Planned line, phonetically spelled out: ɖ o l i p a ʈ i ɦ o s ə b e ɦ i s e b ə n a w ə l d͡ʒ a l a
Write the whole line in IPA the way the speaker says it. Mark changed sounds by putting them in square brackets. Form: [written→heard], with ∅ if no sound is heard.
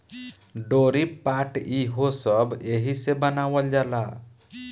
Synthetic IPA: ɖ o [l→ɾ] i p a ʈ i ɦ o s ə b e ɦ i s e b ə n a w ə l d͡ʒ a l a